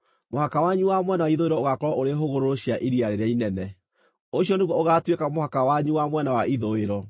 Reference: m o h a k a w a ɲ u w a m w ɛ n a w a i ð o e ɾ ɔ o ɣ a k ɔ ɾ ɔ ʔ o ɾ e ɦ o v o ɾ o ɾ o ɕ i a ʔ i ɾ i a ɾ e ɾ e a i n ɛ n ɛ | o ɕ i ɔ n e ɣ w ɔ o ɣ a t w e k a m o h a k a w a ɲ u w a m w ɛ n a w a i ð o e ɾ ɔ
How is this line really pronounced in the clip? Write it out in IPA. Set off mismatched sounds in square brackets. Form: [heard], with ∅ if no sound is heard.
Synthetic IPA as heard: m o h a k a w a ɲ u w a m w ɛ n a w a i ð o e ɾ ɔ o ɣ a k ɔ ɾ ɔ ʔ o ɾ e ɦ o [ɣ] o ɾ o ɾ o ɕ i a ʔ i ɾ i a ɾ e ɾ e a i n ɛ n ɛ | o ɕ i ɔ n e ɣ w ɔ o ɣ a t w e k a m o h a k a w a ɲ u w a m w ɛ n a w a i ð o e ɾ ɔ